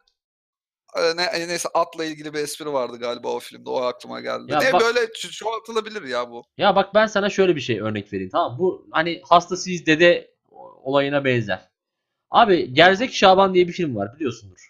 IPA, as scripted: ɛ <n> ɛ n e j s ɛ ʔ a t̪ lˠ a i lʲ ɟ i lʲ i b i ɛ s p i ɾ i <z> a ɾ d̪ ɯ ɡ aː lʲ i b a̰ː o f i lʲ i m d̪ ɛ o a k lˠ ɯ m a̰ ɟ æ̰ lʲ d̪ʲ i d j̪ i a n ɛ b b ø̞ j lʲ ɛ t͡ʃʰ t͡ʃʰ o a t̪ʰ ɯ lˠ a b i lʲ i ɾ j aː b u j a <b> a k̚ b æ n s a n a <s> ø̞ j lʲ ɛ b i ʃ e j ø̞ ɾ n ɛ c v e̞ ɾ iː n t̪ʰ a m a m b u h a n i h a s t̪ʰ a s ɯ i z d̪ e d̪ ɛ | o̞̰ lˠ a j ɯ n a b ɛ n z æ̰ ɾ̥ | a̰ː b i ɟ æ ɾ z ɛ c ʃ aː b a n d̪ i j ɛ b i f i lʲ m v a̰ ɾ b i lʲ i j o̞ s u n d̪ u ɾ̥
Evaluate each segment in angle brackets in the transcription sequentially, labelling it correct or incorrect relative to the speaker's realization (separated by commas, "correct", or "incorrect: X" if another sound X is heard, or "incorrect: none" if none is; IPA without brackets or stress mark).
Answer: correct, incorrect: v, correct, incorrect: ʃ